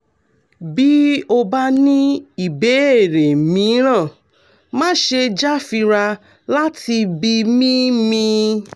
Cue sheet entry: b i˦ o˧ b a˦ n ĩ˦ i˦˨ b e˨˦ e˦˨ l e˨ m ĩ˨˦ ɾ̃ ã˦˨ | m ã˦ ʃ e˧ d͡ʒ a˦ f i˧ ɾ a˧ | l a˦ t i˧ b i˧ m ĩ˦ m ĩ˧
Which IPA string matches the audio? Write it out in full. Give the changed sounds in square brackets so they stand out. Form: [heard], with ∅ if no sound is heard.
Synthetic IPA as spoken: b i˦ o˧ b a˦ n ĩ˦ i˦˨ b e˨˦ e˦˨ [ɾ] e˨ m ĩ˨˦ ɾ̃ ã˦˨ | m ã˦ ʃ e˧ d͡ʒ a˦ f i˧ ɾ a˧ | l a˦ t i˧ b i˧ m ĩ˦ m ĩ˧